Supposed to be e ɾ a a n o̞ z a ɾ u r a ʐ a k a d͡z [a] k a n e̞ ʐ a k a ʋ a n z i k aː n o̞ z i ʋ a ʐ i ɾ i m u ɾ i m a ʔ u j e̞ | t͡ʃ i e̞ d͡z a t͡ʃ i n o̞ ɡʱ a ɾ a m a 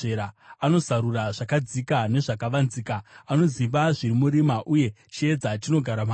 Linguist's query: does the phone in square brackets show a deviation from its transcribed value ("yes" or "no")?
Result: yes